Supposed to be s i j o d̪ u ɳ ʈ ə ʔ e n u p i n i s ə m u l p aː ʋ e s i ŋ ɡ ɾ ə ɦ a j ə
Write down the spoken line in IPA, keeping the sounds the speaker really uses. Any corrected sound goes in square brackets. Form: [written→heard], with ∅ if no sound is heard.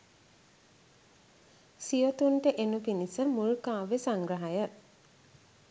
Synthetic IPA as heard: s i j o [d̪→t̪] u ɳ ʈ ə ʔ e n u p i n i s ə m u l [p→k] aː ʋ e s [i→a] ŋ ɡ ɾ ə ɦ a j ə